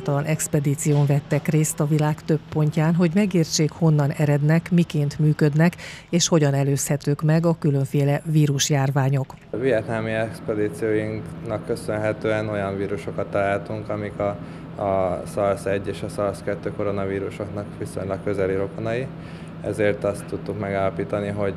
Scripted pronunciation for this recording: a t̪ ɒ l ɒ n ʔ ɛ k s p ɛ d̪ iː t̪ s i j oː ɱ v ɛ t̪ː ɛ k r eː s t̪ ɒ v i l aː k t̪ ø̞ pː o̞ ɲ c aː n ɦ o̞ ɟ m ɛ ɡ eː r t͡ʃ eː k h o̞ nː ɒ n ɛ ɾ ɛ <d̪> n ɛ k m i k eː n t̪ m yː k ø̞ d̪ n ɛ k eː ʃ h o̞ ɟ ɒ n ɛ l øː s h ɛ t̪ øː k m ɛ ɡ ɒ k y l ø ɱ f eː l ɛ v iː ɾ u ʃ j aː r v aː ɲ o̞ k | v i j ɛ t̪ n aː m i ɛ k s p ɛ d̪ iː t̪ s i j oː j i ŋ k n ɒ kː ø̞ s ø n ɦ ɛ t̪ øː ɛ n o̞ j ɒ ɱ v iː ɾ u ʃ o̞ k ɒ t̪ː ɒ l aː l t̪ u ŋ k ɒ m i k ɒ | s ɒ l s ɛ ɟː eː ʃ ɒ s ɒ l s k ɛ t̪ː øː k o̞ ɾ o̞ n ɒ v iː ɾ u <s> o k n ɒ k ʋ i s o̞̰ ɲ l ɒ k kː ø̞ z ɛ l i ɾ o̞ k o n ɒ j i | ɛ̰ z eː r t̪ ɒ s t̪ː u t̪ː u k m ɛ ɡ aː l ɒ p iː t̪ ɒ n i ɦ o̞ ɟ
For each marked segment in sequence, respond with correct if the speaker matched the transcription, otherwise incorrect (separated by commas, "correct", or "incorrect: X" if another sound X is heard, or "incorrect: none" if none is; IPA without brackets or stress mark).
correct, incorrect: ʃ